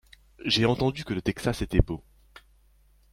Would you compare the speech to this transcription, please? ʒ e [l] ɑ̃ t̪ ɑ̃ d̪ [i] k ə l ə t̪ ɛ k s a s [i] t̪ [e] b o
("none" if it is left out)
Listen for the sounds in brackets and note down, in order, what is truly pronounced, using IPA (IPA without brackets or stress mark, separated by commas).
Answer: none, y, e, ɛ